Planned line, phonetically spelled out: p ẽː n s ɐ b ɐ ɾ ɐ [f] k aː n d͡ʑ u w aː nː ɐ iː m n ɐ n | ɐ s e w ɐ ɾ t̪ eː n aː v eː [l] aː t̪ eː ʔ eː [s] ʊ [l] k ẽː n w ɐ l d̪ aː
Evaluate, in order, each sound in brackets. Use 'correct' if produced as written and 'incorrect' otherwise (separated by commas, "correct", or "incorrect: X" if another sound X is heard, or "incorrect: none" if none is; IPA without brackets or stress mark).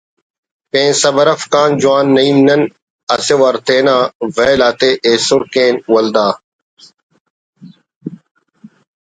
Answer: correct, correct, correct, incorrect: ɾ